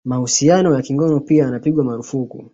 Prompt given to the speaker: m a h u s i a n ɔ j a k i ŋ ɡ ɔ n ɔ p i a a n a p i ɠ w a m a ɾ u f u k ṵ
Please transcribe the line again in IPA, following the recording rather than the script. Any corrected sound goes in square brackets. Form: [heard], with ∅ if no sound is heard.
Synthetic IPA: m a h u s i a n ɔ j a k i ŋ ɡ ɔ n ɔ p i a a n a p i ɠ w a m a ɾ u f u k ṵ